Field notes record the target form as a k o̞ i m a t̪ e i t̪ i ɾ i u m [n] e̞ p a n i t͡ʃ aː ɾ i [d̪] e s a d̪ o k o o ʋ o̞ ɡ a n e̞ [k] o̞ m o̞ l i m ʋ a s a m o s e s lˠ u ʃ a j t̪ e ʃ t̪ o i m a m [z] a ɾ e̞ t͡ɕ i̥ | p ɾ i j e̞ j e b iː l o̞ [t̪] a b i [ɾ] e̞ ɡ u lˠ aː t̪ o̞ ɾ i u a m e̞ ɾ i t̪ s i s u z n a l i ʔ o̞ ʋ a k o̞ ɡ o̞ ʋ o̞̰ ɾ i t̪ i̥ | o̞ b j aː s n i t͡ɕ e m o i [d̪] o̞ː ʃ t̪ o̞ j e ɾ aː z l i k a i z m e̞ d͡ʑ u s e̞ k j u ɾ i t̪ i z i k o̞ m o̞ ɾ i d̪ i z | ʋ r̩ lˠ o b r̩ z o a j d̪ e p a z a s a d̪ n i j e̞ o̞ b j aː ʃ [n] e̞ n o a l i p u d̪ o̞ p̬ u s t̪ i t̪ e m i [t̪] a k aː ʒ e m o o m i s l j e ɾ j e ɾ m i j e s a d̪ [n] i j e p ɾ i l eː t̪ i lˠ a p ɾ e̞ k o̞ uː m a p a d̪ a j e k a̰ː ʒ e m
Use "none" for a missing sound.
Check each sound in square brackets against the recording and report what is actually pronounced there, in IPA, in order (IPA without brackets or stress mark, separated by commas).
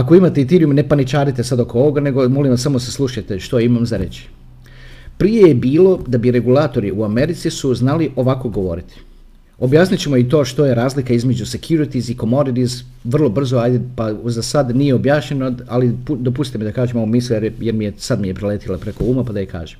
n, t̪, ɡ, z, d̪, ɾ, t̪, ɲ, d̪, m